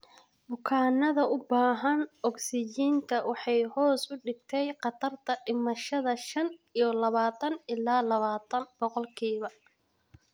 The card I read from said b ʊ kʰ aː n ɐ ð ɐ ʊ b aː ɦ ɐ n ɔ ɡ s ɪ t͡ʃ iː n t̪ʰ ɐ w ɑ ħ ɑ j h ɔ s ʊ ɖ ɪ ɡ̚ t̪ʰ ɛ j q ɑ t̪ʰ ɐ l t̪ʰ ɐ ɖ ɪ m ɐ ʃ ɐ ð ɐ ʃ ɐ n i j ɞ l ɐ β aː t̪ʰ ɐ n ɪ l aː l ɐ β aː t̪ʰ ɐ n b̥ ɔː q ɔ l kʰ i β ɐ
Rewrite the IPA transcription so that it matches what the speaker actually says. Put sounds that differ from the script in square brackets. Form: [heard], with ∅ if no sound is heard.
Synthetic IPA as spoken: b ʊ kʰ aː n ɐ ð ɐ ʊ b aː ɦ ɐ n ɔ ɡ s ɪ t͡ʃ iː n t̪ʰ ɐ w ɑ ħ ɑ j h [ɔː] s ʊ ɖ ɪ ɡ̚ t̪ʰ ɛ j q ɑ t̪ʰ ɐ [r] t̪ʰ ɐ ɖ ɪ m ɐ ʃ ɐ ð ɐ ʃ ɐ n i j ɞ l ɐ β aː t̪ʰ ɐ n ɪ l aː l ɐ β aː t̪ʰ ɐ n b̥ [ɔ] q ɔ l kʰ [iː] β ɐ